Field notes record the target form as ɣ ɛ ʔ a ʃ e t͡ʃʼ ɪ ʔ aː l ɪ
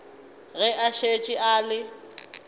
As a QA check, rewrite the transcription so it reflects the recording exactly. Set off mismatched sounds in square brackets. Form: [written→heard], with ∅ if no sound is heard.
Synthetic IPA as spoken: ɣ ɛ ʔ a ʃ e t͡ʃʼ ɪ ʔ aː l ɪ